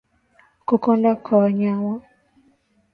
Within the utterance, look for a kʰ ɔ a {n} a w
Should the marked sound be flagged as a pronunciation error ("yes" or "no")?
yes